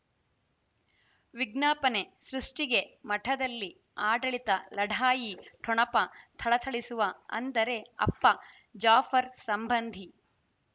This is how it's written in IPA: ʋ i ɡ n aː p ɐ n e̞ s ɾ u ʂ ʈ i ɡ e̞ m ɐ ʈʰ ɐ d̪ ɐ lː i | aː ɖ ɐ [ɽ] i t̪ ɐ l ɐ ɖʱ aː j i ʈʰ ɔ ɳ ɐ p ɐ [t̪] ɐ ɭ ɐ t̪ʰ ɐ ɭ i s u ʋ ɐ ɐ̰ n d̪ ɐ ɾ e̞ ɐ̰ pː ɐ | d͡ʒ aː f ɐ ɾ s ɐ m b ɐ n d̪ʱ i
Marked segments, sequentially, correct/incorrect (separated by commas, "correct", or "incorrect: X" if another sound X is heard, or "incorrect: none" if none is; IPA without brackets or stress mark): incorrect: ɭ, incorrect: t̪ʰ